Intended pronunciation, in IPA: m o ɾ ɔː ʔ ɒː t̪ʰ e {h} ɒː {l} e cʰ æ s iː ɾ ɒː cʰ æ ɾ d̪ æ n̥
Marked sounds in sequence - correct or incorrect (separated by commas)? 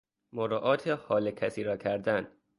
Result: correct, correct